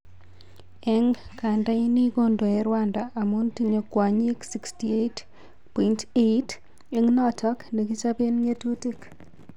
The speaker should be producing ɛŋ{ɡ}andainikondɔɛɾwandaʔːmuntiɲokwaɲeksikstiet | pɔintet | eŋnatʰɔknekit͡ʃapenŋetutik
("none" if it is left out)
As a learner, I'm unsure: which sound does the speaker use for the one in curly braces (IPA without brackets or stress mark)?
k